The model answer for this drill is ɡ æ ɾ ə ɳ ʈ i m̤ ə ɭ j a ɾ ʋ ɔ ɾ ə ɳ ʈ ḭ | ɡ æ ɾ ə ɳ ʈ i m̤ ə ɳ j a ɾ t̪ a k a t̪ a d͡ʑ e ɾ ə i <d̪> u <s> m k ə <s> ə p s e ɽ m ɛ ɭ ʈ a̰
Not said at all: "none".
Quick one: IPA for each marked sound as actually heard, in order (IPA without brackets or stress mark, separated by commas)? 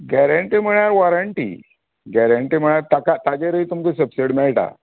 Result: t̪, none, s